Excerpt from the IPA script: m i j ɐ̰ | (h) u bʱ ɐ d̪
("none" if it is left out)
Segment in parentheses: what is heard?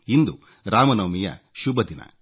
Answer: ʃ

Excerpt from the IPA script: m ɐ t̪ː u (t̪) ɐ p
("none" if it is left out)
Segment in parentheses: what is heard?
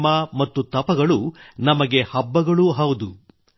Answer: t̪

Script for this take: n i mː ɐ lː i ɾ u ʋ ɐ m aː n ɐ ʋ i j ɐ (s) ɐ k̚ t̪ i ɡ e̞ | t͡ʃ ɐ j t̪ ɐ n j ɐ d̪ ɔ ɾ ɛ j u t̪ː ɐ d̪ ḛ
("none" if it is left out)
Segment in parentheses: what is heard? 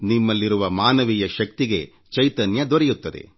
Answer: ʃ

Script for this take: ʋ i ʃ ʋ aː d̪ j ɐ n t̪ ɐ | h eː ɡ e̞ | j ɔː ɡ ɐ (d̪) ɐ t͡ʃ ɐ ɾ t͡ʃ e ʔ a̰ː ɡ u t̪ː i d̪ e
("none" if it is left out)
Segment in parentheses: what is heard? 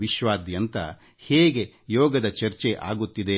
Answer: d̪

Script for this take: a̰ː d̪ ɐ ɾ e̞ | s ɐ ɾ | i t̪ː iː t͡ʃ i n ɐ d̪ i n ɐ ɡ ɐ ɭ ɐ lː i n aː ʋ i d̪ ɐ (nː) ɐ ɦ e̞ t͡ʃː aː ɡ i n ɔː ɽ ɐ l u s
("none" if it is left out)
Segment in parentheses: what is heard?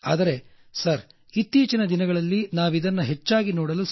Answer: nː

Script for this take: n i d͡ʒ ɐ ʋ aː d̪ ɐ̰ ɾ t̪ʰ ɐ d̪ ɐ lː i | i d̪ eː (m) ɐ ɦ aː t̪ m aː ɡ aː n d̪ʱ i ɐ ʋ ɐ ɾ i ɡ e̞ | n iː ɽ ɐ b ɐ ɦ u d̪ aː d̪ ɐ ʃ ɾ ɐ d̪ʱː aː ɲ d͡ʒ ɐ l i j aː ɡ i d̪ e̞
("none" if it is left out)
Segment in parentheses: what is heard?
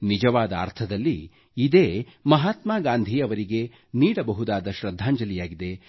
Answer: m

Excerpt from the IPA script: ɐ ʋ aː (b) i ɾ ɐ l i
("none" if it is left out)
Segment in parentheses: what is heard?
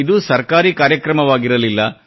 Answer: ɡ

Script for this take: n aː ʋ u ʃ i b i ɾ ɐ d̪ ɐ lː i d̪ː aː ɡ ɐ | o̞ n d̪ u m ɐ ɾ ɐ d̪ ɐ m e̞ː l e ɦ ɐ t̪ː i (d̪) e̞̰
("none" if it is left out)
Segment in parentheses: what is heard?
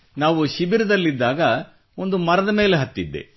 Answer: d̪ː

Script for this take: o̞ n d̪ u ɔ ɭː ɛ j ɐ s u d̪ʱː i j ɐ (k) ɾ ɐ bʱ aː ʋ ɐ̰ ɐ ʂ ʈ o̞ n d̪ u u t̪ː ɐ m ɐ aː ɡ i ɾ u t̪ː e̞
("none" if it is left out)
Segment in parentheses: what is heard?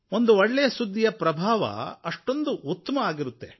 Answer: p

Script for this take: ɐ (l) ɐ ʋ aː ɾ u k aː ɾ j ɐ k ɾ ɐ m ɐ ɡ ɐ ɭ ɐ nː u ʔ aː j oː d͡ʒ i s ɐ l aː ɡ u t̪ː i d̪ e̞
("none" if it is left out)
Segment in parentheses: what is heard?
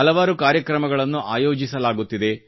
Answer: l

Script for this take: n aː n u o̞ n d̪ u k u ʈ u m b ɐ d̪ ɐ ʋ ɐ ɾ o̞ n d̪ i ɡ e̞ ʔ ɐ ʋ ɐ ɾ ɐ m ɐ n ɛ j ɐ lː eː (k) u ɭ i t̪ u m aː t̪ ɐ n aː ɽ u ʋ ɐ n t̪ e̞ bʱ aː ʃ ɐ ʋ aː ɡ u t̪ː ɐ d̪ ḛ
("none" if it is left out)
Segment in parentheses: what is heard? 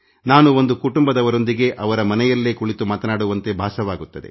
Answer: k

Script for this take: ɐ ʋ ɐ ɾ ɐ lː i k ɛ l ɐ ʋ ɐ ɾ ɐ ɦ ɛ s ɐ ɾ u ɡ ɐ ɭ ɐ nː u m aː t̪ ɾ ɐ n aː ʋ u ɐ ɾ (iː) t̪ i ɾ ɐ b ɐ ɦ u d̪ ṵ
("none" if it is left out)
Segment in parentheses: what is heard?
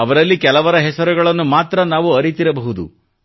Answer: i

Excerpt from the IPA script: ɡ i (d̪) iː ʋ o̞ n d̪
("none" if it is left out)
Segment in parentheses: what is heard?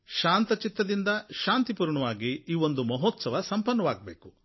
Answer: none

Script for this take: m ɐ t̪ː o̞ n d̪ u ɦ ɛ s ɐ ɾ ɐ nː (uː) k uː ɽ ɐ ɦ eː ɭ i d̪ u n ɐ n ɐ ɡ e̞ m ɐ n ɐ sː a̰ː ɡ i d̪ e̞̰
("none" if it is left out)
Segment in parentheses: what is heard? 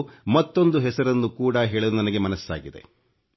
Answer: u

